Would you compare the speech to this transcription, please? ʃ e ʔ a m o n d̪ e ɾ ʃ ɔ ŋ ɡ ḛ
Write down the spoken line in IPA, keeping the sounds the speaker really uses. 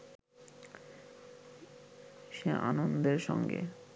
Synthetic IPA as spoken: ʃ e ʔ a n o n d̪ e ɾ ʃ ɔ ŋ ɡ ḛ